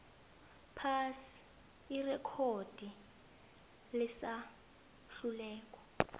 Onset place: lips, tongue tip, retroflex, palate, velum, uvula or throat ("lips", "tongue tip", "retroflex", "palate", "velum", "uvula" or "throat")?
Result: lips